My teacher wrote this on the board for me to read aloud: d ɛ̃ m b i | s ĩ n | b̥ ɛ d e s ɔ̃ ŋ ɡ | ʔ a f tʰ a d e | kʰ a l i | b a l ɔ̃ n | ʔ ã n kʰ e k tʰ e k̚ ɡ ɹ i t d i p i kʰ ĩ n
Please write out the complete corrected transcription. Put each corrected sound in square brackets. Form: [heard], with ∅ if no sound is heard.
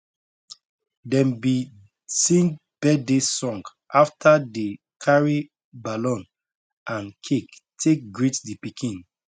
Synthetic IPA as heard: d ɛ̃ m b i | s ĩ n | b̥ ɛ d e s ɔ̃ ŋ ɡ | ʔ a f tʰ a d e | kʰ a [ɹ] i | b a l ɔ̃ n | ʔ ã n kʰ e k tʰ e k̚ ɡ ɹ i t d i p i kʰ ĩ n